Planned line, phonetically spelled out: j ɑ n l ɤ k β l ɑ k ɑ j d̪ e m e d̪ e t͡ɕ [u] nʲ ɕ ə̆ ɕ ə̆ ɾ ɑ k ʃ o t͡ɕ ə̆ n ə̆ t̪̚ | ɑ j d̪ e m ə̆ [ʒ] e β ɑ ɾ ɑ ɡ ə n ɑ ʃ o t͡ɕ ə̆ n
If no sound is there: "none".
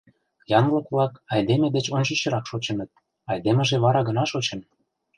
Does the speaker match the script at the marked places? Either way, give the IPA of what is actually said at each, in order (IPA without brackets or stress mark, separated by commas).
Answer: o, ʒ